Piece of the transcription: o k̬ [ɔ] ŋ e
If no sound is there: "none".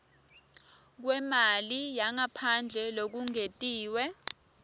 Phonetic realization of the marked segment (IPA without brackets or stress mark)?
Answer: u